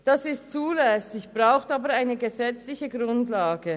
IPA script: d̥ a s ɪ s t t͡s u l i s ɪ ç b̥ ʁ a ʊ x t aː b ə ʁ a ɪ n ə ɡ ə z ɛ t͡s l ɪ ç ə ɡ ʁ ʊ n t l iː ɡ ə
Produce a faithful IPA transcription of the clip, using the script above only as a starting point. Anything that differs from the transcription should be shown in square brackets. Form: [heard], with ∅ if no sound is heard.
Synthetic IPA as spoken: d̥ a s ɪ s t t͡s [uː] l [ɛ] s ɪ ç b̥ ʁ a ʊ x t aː b ə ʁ a ɪ n ə ɡ ə z ɛ t͡s l ɪ ç ə ɡ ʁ ʊ n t l [aː] ɡ ə